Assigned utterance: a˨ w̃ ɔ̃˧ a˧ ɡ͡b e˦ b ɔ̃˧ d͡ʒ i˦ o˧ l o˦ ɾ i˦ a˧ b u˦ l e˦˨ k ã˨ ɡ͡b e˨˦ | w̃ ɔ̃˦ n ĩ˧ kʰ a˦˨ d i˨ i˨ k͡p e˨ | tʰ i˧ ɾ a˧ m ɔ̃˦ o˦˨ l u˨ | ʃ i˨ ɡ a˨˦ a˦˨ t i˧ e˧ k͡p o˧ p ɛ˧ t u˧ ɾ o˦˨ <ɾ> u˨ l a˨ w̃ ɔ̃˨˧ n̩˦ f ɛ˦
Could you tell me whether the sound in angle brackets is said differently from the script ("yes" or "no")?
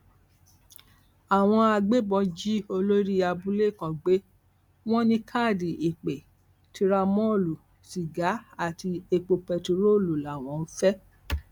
yes